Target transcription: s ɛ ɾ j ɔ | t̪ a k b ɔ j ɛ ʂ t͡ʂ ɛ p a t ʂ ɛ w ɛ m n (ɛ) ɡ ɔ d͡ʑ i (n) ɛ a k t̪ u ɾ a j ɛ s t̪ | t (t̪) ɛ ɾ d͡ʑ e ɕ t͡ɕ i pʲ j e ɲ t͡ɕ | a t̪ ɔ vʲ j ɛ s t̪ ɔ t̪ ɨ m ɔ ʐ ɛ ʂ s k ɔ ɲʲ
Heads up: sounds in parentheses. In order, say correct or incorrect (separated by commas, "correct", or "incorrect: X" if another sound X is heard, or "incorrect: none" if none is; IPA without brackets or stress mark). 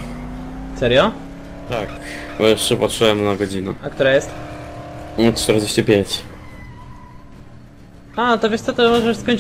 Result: incorrect: a, correct, correct